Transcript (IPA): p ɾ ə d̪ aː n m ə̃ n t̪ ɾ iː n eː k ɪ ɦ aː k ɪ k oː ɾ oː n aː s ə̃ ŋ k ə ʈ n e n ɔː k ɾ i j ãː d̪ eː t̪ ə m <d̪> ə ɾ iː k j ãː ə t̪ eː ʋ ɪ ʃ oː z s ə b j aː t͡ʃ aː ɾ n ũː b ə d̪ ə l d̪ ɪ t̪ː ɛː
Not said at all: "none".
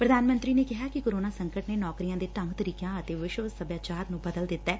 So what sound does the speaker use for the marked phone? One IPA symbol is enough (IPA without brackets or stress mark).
t̪